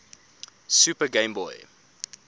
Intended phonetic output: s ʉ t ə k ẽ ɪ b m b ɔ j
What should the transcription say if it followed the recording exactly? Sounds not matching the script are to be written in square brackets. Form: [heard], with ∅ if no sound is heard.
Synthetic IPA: s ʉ [p] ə [ɡ] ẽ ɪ [∅] m b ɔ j